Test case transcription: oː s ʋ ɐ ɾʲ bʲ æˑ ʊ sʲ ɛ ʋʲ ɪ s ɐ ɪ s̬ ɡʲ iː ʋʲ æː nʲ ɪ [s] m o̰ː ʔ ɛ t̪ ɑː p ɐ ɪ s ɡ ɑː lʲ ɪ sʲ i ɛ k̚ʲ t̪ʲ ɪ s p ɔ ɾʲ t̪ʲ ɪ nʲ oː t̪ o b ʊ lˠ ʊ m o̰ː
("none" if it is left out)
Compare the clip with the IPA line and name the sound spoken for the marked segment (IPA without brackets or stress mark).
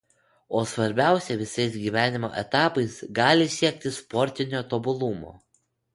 none